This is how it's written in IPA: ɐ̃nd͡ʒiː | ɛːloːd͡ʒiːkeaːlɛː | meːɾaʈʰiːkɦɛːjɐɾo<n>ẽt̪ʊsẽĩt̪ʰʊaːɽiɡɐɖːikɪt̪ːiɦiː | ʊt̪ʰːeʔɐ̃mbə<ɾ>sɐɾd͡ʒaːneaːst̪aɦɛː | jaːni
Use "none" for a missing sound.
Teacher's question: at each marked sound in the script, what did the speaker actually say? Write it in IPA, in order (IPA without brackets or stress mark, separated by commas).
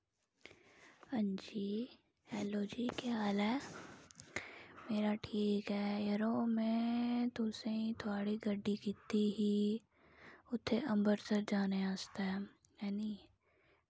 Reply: m, ɾ